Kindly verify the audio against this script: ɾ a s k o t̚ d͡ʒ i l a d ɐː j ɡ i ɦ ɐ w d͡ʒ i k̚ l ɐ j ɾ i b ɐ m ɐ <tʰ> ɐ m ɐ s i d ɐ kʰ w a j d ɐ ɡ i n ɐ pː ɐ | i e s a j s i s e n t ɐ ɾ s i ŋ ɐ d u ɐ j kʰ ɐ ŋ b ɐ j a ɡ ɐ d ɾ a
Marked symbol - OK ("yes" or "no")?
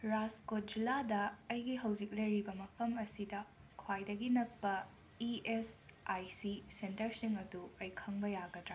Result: no